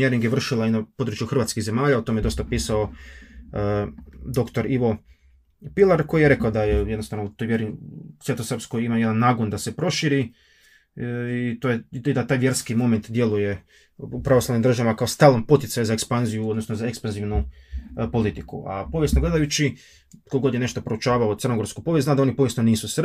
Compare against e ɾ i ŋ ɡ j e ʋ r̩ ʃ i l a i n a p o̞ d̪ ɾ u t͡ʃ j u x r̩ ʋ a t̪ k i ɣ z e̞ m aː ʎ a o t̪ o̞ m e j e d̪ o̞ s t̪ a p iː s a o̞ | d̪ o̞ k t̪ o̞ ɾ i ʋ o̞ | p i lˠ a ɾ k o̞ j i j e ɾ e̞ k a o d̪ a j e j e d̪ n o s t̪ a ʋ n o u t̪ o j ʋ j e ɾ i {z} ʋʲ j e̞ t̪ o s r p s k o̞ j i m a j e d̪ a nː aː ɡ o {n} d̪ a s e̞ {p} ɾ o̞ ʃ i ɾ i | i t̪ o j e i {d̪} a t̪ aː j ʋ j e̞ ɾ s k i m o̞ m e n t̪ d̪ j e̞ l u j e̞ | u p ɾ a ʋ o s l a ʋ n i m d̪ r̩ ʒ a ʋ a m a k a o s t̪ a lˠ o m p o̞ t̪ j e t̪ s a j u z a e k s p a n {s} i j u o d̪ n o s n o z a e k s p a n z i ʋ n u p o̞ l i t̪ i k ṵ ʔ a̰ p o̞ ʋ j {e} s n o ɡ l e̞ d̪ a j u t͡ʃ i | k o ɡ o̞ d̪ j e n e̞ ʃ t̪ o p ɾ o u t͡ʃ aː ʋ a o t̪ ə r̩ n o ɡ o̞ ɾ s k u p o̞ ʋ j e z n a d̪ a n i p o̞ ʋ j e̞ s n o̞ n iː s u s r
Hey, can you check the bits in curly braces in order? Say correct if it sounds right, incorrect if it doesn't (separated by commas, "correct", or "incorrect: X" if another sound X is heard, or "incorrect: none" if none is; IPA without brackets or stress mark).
incorrect: s, correct, correct, correct, incorrect: z, correct